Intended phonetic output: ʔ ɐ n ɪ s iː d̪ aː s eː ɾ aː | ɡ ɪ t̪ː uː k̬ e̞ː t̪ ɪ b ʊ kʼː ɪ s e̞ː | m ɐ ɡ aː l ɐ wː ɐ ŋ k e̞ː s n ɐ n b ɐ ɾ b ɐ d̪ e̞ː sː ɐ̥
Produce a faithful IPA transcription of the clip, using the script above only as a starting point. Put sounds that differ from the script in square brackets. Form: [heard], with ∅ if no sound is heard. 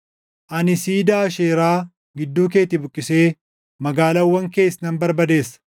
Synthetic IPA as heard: ʔ ɐ n ɪ s iː d̪ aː [ʃ] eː ɾ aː | ɡ ɪ [d̪ː] uː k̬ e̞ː t̪ ɪ b ʊ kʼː ɪ s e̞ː | m ɐ ɡ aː l ɐ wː ɐ ŋ k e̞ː s n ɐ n b ɐ ɾ b ɐ d̪ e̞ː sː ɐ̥